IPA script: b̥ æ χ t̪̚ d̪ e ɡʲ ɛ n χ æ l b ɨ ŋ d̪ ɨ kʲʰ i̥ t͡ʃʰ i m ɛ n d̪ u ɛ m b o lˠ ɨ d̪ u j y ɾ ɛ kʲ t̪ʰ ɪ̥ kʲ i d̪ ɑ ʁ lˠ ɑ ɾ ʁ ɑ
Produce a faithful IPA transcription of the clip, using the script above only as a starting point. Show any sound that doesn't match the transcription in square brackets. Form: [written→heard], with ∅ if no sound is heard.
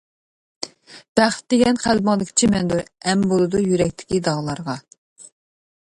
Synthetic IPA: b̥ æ χ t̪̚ d̪ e ɡʲ ɛ n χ æ l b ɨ ŋ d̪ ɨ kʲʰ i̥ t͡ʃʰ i m ɛ n d̪ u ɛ m b o lˠ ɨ d̪ u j y ɾ ɛ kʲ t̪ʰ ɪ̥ kʲ i d̪ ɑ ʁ lˠ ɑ ɾ ʁ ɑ